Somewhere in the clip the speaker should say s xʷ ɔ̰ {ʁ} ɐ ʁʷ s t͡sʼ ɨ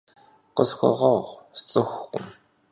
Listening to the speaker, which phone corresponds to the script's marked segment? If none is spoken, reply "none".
ʁ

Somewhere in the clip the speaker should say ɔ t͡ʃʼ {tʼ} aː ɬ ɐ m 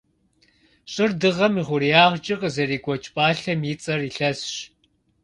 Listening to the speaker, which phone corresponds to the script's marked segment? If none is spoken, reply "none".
pʼ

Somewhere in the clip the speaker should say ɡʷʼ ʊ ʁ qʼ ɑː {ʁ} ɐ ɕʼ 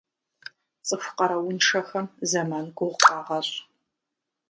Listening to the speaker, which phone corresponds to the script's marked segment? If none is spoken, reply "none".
ʁ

